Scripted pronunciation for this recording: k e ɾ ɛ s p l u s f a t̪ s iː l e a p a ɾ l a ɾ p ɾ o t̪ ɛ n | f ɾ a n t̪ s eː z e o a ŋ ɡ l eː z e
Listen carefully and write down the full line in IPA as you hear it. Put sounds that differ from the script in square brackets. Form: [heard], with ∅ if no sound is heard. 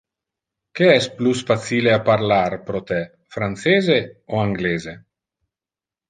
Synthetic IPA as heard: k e [∅] ɛ s p l u s f a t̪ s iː l e a p a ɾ l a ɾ p ɾ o t̪ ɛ [∅] | f ɾ a n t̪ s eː z e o a ŋ ɡ l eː z e